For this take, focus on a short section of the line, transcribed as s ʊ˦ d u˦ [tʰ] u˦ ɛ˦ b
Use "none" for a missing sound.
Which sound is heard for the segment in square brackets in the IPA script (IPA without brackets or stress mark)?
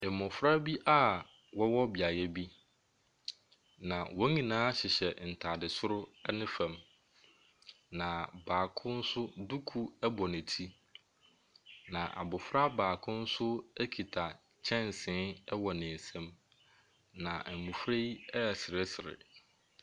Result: kʰ